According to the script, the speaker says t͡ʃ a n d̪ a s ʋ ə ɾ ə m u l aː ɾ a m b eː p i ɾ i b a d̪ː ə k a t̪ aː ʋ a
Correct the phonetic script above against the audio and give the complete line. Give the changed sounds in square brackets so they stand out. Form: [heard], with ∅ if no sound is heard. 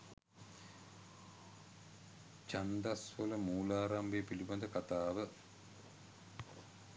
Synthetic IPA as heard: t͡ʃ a n d̪ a s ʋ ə [l] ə m [uː] l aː ɾ a m b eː p i [l] i b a [d̪] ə k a t̪ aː ʋ [ə]